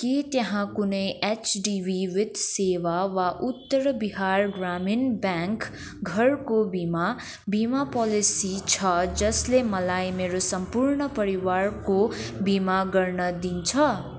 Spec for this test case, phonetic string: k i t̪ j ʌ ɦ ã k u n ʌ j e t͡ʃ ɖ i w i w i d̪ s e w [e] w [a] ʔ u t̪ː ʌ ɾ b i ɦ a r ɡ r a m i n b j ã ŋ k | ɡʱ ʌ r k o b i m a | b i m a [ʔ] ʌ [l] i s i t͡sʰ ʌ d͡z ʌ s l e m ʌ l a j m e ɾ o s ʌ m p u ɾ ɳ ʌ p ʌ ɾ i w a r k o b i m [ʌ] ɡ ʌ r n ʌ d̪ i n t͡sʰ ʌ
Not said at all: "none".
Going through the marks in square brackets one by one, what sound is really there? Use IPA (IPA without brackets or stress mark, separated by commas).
a, a, p, l, a